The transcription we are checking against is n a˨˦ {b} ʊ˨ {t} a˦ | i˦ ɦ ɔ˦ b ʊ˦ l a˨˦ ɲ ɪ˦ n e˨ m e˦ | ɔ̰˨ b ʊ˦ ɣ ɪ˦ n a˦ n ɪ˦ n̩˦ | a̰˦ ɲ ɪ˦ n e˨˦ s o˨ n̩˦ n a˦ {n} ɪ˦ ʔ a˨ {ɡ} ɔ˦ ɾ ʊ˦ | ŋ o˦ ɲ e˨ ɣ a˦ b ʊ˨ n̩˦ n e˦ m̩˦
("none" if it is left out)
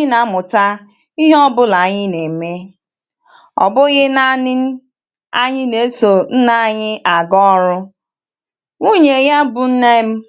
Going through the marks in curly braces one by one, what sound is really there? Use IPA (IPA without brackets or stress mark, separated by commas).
m, t, ɲ, ɡ